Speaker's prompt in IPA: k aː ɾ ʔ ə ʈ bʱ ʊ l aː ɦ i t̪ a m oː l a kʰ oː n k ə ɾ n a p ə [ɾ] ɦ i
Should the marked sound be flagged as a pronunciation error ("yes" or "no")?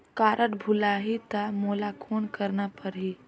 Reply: no